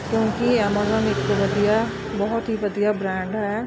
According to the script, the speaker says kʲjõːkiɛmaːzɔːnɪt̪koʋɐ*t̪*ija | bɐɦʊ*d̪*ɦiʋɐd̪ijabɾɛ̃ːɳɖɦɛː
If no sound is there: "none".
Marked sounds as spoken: d̪, t̪

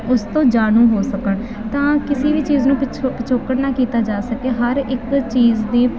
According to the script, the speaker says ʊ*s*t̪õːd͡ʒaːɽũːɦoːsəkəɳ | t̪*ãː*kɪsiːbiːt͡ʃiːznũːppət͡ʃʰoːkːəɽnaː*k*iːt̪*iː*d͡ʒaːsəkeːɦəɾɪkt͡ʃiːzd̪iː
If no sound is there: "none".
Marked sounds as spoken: s, ãː, k, aː

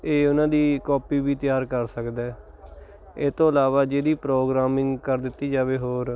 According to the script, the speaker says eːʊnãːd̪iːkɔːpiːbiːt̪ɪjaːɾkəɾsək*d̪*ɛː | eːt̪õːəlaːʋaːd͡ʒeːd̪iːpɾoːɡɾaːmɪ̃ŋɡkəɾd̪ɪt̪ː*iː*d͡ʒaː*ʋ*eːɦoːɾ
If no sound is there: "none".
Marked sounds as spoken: d̪, iː, ʋ

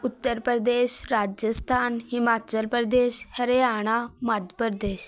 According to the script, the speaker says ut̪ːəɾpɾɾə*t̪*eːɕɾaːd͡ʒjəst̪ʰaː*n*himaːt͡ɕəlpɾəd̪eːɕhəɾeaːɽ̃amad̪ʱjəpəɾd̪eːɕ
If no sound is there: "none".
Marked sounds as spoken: d̪, n

